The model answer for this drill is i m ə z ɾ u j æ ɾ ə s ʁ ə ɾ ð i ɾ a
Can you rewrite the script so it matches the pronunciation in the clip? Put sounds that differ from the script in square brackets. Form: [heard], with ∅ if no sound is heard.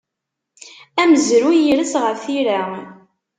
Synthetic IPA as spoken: [æ] m ə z ɾ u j [i] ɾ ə s ʁ ə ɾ [θ] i ɾ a